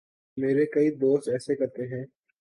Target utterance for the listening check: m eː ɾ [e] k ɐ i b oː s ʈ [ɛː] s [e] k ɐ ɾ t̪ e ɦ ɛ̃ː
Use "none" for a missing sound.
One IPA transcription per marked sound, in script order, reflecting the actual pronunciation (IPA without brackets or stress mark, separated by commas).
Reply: e, ɛː, e